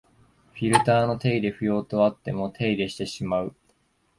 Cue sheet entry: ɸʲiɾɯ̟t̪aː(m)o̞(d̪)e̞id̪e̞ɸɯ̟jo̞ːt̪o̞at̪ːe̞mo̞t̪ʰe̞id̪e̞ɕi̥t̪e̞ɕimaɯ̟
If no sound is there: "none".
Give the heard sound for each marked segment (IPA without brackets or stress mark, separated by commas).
n, t̪